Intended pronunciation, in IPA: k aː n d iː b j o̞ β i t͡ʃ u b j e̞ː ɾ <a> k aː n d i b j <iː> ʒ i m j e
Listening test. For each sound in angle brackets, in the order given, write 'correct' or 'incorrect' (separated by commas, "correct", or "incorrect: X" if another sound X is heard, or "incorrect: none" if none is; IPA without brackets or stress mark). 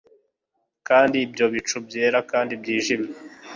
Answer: correct, correct